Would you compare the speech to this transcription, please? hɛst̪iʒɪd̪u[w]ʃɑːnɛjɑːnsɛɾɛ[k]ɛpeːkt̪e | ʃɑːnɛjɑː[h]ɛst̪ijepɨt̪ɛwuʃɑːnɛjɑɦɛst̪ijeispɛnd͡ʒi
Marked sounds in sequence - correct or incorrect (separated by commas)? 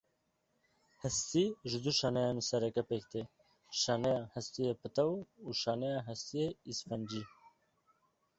incorrect, correct, correct